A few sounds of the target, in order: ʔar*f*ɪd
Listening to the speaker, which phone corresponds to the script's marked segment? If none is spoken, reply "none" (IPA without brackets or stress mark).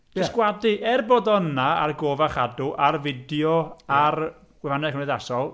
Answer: v